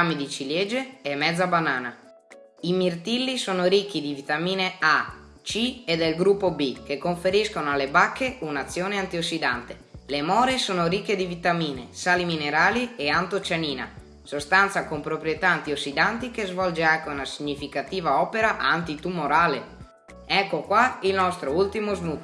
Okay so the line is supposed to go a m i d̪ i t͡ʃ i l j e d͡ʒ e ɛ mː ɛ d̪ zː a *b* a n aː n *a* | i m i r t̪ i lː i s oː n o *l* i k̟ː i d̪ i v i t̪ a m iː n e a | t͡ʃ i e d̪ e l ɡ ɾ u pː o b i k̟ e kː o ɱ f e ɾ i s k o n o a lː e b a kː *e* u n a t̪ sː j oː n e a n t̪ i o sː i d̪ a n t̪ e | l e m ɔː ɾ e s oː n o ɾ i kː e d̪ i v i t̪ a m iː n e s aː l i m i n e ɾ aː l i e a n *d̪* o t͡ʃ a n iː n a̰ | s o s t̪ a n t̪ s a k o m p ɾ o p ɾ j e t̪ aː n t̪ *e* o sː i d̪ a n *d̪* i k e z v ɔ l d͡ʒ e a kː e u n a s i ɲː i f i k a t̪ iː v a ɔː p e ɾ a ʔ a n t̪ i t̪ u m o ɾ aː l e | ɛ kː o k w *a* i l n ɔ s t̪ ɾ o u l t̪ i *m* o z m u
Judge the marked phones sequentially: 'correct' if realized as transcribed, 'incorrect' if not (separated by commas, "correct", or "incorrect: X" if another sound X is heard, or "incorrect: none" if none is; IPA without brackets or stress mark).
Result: correct, correct, incorrect: ɾ, correct, incorrect: t̪, incorrect: i, incorrect: t̪, correct, correct